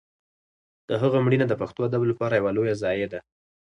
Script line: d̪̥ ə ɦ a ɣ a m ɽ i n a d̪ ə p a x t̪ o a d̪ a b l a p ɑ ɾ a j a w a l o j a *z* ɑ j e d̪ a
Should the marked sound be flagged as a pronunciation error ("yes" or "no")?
no